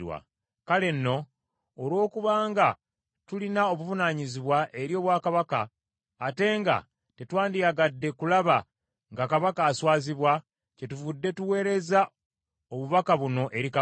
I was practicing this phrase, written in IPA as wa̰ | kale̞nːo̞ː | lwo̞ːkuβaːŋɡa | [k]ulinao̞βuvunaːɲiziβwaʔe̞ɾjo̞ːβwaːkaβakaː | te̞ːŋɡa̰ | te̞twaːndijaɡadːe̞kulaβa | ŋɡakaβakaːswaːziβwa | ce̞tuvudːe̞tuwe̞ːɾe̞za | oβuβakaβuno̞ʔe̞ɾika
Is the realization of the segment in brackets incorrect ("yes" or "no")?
yes